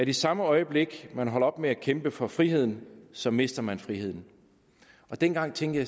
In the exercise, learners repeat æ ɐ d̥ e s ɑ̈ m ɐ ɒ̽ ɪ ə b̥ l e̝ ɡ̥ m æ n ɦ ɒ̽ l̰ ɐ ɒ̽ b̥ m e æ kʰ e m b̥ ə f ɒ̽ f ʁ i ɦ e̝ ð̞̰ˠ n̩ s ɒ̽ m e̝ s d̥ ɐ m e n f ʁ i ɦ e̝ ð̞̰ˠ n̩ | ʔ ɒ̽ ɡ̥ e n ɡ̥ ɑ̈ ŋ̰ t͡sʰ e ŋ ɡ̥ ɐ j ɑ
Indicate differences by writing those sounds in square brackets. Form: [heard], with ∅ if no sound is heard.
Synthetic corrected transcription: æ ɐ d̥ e s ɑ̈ m [ə] ɒ̽ ɪ ə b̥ l e̝ ɡ̥ m æ n ɦ ɒ̽ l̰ ɐ ɒ̽ b̥ m e æ kʰ e m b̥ ə f ɒ̽ f ʁ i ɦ e̝ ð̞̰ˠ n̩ s ɒ̽ m e̝ s d̥ ɐ m [æ] n f ʁ i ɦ e̝ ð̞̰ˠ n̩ | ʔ ɒ̽ [d̥] e n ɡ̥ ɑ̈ ŋ̰ t͡sʰ e ŋ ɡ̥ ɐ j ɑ